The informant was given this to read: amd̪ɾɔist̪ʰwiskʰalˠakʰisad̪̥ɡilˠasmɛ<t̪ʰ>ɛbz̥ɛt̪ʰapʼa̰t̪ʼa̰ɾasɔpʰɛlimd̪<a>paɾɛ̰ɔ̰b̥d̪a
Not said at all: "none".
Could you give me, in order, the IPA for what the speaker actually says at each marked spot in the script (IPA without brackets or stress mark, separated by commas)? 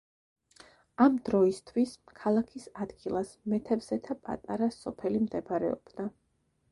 t̪ʰ, ɛ